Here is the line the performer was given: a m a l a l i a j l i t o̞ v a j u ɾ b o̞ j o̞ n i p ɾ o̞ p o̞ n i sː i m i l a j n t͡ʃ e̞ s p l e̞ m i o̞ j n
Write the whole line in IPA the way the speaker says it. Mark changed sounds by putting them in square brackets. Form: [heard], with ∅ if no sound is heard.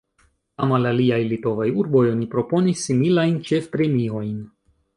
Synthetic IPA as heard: a m a l a l i a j l i t o̞ v a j u ɾ b o̞ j o̞ n i p ɾ o̞ p o̞ n i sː i m i l a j n t͡ʃ e̞ [f] p [ɾ] e̞ m i o̞ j n